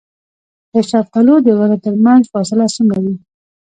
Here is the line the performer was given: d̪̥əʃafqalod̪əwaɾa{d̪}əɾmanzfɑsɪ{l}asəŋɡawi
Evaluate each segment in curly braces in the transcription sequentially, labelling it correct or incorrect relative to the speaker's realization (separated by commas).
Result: incorrect, correct